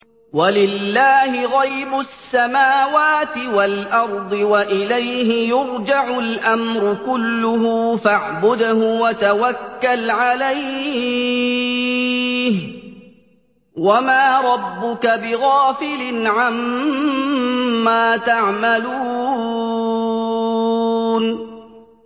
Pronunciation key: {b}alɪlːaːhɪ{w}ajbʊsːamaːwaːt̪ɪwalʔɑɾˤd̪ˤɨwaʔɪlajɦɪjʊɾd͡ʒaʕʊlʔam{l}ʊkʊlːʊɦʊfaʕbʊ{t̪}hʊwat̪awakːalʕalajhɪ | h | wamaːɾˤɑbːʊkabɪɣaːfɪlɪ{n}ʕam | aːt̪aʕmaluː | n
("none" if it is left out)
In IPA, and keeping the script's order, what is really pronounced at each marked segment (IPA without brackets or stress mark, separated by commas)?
w, ɣ, ɾ, d̪, n